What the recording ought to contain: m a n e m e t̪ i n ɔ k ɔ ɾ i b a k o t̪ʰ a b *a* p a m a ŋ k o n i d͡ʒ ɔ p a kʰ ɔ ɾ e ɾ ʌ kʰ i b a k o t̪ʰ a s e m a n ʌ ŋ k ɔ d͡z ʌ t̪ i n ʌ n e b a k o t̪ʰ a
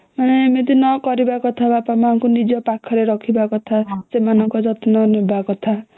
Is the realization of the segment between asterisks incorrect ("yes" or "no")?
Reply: no